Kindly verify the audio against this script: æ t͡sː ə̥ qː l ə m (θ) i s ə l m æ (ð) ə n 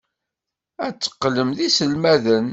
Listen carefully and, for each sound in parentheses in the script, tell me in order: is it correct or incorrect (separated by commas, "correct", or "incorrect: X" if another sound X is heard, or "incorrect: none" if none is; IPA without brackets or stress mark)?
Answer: incorrect: ð, correct